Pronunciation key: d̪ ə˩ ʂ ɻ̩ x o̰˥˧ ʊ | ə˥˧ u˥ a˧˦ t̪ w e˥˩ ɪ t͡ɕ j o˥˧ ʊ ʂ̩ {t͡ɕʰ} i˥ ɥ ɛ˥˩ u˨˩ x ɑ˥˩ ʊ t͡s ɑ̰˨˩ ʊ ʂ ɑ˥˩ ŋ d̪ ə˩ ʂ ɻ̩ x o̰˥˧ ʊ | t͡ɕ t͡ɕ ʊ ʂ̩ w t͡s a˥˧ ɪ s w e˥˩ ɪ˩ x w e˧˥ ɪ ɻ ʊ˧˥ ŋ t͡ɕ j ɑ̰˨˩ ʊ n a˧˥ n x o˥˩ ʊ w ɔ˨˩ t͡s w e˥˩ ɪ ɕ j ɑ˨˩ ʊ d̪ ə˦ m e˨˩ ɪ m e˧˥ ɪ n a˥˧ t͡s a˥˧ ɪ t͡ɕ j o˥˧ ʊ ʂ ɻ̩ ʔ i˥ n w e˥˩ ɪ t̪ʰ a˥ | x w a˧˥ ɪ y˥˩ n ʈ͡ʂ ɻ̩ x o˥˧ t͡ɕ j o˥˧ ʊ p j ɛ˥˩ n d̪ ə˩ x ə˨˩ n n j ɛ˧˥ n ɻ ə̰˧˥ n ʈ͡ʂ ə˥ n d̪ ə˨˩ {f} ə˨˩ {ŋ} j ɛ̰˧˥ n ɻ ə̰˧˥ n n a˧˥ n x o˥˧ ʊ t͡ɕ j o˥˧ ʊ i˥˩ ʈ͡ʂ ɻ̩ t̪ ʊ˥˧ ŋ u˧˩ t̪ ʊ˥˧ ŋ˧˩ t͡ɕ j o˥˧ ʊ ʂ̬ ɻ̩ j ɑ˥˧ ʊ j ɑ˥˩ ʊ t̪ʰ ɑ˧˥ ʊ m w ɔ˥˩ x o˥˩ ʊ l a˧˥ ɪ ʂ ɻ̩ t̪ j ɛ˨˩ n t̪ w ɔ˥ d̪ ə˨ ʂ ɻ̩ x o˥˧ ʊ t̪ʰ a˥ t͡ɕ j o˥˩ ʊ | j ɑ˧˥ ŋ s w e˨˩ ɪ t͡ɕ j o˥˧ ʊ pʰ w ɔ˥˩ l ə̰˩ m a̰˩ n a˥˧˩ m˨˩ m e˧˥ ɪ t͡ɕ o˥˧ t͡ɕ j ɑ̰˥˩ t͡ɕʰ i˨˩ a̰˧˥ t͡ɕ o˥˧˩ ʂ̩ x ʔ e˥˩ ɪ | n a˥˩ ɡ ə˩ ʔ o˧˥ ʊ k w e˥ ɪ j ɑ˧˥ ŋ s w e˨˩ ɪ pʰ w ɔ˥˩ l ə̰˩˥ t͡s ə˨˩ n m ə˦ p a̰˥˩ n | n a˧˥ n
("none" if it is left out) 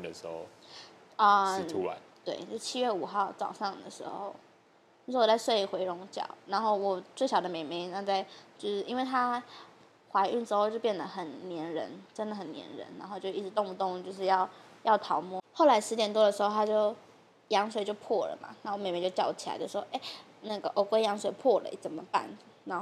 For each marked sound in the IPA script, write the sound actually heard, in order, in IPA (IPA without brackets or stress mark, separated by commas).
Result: t͡ɕʰ, x, n